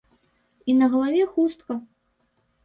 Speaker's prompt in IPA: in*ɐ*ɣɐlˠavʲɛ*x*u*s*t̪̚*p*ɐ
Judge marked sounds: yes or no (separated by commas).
yes, yes, yes, no